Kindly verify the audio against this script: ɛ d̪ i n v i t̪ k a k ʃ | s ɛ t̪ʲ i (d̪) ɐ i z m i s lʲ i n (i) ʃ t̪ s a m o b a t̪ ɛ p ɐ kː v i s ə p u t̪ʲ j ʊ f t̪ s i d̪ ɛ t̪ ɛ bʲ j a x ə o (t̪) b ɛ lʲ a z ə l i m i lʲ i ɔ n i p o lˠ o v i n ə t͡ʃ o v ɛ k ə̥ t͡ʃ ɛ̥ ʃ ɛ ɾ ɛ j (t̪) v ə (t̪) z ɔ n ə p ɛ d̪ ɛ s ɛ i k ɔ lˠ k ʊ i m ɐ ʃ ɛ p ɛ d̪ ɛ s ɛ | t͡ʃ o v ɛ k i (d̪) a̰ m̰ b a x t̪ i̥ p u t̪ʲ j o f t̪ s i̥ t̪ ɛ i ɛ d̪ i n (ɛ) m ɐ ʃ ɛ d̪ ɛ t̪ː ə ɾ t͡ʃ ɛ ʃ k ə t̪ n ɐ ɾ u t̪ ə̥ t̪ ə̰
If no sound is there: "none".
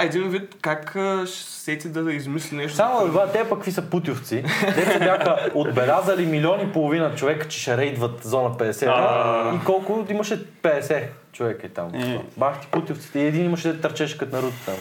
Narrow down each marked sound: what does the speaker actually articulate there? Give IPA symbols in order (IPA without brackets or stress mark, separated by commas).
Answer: d̪, ɛ, d̪, d̪, t̪, t̪, i